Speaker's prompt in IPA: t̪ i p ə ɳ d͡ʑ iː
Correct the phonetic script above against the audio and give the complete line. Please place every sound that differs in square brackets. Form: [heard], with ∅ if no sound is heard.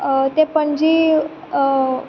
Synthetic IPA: t̪ [e] p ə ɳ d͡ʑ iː